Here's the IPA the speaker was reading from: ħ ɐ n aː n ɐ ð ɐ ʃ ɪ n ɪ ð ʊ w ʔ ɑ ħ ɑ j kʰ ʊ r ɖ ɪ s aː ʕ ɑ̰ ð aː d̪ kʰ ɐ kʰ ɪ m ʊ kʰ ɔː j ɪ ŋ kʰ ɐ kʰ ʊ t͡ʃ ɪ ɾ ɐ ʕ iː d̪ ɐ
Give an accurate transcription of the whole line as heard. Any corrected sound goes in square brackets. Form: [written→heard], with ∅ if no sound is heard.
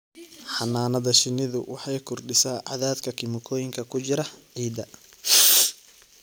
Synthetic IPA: ħ [ɐ→ɑ] n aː n ɐ ð ɐ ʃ ɪ n ɪ ð ʊ w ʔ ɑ ħ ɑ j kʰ ʊ r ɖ ɪ s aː ʕ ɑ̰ ð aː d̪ kʰ ɐ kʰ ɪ m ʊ kʰ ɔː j ɪ ŋ kʰ ɐ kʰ ʊ t͡ʃ ɪ ɾ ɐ ʕ iː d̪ ɐ